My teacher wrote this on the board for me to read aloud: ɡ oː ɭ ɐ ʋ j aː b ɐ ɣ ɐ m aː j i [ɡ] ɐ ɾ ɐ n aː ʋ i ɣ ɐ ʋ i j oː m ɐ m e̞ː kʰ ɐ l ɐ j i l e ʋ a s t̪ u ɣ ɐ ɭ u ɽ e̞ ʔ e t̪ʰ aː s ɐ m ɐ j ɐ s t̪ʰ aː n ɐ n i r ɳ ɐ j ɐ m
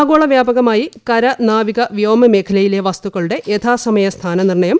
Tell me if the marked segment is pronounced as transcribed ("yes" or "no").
no